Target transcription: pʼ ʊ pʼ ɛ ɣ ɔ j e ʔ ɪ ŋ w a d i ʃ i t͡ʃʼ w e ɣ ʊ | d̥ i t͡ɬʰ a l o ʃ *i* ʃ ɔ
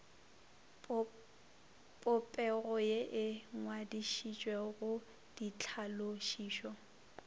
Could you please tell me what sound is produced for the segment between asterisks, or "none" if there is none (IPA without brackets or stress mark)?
iː